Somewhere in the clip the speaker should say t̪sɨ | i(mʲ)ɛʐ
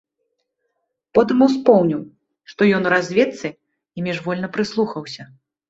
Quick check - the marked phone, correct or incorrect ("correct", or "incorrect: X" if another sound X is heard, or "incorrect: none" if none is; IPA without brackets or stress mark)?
correct